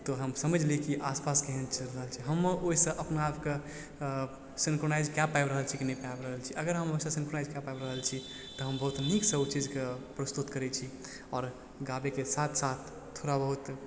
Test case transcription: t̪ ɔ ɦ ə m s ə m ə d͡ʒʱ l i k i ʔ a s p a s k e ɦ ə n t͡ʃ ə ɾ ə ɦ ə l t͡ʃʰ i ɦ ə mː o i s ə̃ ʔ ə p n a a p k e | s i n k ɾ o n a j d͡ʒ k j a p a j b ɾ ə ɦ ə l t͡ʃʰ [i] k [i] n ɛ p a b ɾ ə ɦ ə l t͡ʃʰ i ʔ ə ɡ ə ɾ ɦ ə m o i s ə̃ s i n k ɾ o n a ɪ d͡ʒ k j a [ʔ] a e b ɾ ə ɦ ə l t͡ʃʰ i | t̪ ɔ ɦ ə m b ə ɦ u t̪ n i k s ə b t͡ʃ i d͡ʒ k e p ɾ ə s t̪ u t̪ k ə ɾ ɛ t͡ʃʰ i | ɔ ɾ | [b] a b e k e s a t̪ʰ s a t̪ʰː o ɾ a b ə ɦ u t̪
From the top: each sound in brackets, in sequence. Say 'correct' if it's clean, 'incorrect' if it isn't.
correct, correct, incorrect: p, incorrect: ɡ

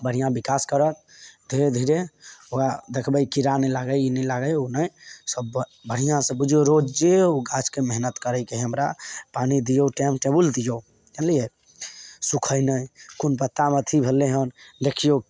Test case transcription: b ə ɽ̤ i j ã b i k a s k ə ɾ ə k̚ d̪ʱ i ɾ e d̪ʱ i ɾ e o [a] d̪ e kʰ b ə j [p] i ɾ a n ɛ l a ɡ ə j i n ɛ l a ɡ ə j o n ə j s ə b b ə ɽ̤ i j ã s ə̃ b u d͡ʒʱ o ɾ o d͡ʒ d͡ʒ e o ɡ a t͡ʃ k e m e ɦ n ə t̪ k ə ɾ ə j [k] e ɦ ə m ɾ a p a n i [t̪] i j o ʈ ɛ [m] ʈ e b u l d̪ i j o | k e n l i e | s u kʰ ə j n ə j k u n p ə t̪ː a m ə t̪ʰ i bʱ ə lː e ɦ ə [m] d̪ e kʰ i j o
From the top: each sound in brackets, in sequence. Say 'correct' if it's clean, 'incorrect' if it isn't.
correct, incorrect: k, correct, incorrect: d̪, correct, incorrect: n

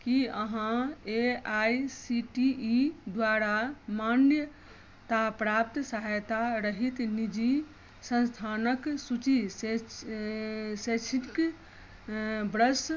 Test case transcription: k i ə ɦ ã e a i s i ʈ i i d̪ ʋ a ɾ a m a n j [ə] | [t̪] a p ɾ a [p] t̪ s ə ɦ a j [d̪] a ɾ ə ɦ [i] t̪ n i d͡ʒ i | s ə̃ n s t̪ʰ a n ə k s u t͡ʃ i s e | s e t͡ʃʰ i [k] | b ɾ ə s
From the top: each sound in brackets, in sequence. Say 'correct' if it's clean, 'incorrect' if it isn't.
correct, correct, correct, incorrect: t̪, correct, correct

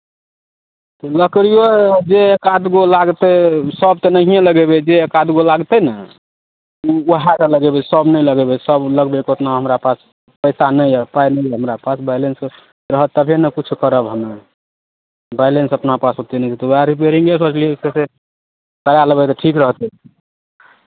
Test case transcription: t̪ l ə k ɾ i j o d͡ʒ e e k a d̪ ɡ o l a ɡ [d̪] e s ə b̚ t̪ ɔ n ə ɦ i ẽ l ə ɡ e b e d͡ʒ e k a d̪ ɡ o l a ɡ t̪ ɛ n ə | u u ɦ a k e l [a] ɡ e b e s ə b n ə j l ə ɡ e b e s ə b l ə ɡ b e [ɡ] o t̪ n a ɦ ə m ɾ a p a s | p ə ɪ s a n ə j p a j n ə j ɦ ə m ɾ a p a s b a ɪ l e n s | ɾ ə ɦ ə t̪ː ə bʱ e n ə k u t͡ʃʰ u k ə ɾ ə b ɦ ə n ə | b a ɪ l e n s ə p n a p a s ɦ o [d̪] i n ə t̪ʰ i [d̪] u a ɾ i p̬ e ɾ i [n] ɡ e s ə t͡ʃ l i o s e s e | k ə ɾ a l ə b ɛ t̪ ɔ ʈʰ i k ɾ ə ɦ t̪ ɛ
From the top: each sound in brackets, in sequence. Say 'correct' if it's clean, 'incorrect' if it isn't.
incorrect: t̪, incorrect: ə, incorrect: k, incorrect: t̪, incorrect: t̪, incorrect: ŋ

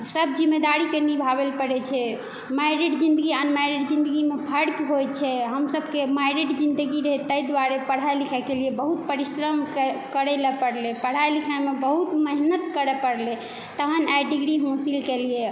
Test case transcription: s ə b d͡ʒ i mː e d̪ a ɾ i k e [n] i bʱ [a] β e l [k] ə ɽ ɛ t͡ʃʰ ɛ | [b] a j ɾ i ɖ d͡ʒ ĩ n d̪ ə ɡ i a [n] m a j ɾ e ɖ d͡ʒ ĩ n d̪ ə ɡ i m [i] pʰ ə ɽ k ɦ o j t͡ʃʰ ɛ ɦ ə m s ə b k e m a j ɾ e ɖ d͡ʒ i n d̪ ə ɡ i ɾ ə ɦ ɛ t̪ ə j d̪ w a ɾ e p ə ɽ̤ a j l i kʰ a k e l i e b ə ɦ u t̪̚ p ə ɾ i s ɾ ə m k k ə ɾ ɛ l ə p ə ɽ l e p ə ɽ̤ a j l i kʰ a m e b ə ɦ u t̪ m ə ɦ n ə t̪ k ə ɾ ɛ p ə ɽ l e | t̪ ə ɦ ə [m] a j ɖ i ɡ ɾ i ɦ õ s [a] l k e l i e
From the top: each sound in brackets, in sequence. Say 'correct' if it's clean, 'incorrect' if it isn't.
correct, correct, incorrect: p, incorrect: m, correct, incorrect: e, incorrect: n, incorrect: i

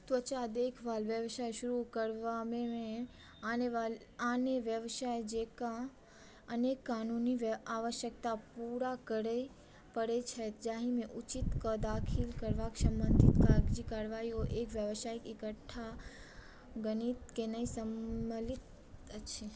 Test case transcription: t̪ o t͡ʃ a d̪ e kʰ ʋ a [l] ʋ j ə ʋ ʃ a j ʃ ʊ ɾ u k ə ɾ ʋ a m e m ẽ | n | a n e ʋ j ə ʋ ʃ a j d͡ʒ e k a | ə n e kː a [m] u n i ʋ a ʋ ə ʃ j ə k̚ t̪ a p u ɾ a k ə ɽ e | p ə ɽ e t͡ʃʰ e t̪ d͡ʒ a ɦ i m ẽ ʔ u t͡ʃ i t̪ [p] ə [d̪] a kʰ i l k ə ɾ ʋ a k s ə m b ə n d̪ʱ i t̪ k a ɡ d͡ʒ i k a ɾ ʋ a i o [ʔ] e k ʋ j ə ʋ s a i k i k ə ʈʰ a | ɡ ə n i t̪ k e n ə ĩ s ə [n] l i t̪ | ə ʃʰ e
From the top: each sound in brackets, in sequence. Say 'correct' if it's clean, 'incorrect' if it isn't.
correct, incorrect: n, incorrect: k, correct, correct, incorrect: m

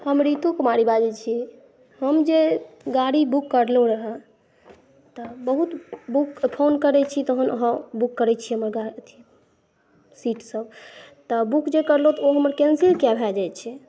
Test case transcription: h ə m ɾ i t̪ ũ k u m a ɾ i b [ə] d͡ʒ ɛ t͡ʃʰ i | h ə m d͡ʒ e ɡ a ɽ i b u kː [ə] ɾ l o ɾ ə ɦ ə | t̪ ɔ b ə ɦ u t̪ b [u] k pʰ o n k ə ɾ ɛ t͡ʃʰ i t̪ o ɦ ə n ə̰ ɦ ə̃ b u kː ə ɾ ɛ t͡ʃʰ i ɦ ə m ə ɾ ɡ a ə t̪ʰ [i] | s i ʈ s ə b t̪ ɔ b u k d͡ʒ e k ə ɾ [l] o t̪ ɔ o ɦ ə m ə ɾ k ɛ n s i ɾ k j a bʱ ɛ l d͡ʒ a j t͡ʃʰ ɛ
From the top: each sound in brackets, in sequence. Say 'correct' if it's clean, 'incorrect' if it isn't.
incorrect: a, correct, correct, correct, correct

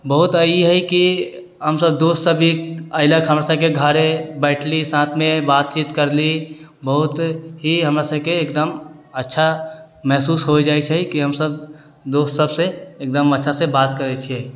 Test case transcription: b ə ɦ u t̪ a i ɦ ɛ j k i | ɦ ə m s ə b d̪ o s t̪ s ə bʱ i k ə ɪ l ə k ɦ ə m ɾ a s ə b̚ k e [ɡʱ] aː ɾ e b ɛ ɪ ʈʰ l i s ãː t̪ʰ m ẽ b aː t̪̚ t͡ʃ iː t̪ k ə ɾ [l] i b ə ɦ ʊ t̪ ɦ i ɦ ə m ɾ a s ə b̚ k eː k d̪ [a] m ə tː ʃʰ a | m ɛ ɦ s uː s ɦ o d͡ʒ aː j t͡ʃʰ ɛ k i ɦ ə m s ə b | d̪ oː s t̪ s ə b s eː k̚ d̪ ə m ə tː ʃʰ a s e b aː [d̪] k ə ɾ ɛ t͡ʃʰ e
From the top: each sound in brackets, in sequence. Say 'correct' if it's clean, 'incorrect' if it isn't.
correct, correct, incorrect: ə, incorrect: t̪

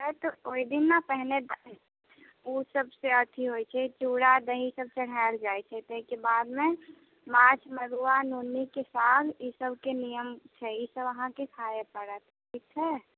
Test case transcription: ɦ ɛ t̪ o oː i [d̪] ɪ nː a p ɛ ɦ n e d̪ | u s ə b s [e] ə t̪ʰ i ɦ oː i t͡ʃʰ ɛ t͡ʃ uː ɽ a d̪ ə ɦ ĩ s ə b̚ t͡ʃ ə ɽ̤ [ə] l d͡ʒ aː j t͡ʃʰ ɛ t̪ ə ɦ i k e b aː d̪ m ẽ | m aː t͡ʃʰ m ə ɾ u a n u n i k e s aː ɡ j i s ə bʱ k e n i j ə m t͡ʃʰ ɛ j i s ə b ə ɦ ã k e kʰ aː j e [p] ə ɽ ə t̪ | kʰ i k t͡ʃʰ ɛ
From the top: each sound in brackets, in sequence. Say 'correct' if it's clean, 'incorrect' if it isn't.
correct, correct, incorrect: a, correct

